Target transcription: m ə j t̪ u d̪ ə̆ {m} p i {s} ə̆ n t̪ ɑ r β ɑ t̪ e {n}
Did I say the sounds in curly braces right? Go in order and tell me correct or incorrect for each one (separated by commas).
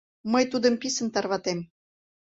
correct, correct, incorrect